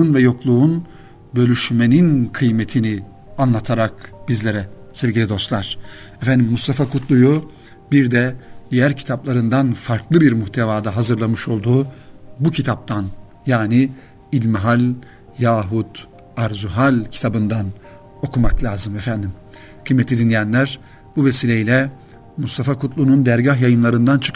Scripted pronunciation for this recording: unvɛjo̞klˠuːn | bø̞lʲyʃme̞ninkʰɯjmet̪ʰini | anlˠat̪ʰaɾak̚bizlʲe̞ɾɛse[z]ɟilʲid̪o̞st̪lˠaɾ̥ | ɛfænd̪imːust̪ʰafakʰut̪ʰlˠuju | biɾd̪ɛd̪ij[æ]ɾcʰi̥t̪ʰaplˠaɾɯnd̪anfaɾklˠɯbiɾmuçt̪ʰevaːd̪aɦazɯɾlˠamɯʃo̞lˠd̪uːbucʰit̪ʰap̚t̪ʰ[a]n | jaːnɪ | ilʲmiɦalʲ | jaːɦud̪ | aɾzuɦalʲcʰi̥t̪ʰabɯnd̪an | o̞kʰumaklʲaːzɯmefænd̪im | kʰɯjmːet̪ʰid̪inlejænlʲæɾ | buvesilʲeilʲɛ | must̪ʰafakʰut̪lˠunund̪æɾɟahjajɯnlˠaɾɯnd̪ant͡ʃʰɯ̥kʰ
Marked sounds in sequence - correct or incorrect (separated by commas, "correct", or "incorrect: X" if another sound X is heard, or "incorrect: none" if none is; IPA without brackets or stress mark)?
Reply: incorrect: v, correct, correct